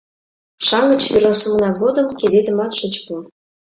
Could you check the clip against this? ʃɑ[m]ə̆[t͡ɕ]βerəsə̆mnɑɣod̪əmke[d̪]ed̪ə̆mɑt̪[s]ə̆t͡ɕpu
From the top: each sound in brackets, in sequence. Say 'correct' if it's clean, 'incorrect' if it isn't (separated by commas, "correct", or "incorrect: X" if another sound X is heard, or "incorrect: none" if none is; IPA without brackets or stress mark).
incorrect: ŋ, correct, correct, incorrect: ʃ